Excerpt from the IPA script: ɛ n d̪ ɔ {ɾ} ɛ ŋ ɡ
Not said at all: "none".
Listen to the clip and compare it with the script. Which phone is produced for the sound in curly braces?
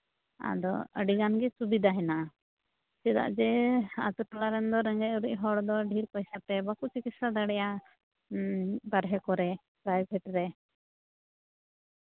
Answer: ɾ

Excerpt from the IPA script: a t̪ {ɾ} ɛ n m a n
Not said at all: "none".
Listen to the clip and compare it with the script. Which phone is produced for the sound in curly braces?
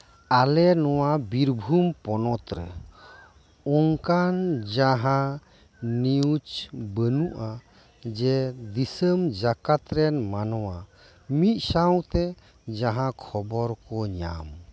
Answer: ɾ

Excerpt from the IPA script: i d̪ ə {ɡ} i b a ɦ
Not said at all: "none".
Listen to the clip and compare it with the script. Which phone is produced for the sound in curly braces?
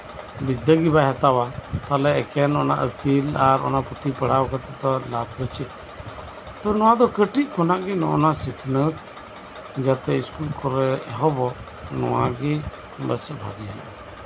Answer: ɡ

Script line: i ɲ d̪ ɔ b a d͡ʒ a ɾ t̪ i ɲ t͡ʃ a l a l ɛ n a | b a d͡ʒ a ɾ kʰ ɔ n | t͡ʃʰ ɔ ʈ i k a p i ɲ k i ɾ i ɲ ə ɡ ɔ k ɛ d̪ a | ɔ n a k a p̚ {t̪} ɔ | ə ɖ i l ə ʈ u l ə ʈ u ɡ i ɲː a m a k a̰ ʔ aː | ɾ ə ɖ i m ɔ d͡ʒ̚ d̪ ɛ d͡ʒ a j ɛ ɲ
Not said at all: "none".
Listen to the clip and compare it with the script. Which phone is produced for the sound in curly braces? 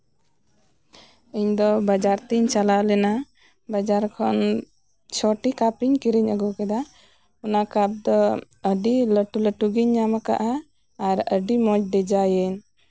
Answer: d̪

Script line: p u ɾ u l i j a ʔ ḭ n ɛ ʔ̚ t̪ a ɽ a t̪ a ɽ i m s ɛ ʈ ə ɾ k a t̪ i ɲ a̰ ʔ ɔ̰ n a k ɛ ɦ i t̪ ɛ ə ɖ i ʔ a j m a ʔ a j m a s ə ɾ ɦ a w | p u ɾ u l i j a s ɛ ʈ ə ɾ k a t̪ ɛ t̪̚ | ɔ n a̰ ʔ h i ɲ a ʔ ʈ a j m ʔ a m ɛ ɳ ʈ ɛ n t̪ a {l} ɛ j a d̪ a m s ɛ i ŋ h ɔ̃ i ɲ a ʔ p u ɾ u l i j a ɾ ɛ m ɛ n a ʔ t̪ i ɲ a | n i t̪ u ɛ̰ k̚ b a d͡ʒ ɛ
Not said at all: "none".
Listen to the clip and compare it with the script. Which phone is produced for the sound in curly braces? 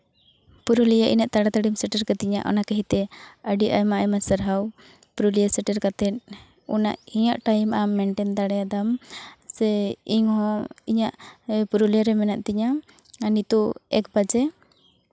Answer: ɽ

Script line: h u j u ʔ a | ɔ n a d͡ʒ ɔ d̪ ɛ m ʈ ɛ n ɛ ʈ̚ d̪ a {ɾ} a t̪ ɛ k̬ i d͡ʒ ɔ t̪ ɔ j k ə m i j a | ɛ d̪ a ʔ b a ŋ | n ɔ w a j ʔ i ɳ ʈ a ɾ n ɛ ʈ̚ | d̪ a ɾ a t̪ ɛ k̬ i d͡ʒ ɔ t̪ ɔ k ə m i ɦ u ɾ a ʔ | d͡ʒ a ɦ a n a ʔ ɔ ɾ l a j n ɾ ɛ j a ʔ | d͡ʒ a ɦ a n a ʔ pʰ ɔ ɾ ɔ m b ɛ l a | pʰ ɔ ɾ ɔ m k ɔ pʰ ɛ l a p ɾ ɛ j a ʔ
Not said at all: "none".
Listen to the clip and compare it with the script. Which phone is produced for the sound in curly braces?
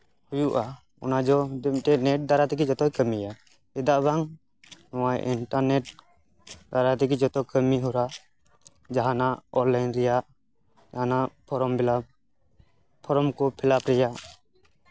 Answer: ɾ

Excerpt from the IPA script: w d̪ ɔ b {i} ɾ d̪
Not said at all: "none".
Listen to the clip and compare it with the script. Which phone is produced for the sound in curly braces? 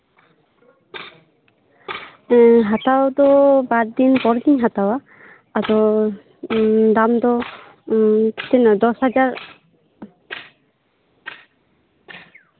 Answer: a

